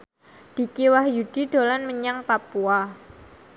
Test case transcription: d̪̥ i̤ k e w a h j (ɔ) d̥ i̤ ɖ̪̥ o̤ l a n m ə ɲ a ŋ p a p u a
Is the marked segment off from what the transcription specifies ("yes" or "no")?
yes